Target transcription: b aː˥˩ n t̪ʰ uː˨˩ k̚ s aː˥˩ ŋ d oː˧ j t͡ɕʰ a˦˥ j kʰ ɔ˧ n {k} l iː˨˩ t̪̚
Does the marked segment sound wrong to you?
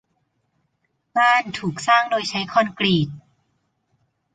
no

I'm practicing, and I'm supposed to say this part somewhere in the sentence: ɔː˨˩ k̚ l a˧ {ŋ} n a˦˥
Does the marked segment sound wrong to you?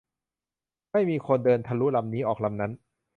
yes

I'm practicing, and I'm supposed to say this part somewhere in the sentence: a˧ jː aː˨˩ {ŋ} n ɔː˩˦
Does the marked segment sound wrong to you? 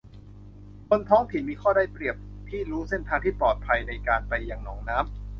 no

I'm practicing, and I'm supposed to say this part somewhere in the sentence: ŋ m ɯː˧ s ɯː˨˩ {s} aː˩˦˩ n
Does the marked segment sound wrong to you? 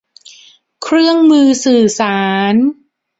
no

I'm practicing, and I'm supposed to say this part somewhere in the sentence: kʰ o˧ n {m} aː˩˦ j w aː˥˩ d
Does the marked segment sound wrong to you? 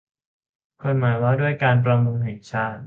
no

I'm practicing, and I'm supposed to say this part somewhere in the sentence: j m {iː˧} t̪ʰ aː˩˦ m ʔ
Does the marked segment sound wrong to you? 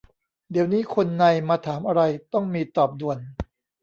yes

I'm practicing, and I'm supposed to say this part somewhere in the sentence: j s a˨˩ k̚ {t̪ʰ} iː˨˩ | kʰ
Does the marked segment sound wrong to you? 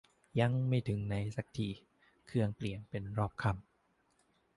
no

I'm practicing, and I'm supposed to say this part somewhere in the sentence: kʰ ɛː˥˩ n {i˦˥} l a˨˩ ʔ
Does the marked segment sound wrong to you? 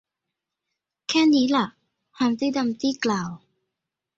yes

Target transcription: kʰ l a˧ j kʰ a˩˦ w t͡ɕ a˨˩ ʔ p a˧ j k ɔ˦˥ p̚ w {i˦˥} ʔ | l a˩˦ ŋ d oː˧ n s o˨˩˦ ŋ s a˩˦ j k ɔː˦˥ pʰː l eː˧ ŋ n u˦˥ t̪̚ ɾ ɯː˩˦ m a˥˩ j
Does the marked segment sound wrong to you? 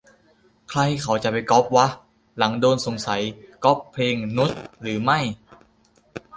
yes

